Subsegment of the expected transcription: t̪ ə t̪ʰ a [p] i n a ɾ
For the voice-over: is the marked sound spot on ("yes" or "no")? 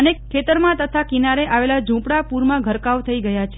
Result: no